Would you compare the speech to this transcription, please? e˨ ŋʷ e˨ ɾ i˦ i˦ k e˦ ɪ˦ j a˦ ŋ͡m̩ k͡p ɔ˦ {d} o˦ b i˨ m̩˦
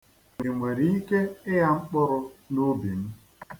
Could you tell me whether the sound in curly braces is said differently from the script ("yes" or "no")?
yes